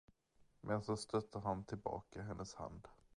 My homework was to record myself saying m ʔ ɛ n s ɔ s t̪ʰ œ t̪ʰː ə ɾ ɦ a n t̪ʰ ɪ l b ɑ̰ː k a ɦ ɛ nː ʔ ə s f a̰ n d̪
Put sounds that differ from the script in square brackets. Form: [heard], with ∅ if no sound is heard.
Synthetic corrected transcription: m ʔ ɛ n s ɔ s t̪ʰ œ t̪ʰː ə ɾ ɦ a n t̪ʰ ɪ l b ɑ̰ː k a ɦ ɛ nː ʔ ə s [h] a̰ n d̪